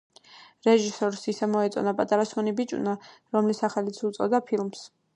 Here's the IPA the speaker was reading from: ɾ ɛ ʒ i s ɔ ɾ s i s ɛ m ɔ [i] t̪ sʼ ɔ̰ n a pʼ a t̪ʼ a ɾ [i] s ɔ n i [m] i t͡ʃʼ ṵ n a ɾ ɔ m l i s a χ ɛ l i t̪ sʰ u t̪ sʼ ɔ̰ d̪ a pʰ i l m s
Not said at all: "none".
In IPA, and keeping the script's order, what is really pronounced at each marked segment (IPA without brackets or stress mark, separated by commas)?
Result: ɛ, a, b